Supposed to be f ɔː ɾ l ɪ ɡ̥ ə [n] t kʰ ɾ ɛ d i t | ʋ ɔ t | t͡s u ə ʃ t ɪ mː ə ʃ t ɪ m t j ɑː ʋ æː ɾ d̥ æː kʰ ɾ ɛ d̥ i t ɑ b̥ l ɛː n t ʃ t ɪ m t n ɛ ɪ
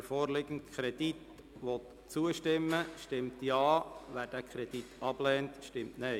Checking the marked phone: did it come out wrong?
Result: no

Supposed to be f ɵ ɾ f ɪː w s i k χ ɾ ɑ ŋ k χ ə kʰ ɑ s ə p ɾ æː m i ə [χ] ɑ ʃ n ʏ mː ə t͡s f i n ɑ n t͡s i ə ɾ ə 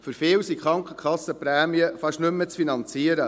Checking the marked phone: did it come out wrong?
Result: yes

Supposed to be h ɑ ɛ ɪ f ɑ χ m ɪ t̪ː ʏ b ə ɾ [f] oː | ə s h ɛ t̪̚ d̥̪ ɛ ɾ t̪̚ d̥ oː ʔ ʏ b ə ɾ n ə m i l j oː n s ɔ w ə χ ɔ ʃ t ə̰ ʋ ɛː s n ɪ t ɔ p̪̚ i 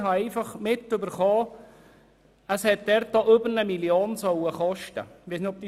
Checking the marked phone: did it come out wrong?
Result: yes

